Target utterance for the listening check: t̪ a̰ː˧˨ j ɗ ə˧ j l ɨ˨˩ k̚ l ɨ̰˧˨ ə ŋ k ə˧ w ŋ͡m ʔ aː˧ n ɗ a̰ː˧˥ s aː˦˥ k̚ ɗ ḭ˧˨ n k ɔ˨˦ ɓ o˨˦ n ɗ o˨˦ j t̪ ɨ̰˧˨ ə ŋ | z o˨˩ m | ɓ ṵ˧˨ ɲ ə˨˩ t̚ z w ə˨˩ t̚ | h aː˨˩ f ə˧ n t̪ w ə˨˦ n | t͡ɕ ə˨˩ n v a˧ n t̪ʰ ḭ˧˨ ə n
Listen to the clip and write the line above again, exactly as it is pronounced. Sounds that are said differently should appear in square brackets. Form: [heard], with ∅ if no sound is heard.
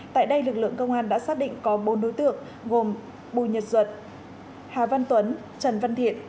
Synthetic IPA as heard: t̪ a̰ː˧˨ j ɗ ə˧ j l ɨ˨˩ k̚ l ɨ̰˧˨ ə ŋ k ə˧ w ŋ͡m ʔ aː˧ n ɗ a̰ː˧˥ s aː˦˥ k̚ ɗ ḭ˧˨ [ŋ] k ɔ˨˦ ɓ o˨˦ n ɗ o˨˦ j t̪ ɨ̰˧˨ ə ŋ | [ɣ] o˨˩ m | ɓ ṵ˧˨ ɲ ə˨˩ t̚ z w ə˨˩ t̚ | h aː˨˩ [v] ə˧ n t̪ w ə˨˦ n | t͡ɕ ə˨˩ n v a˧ n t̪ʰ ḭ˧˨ ə n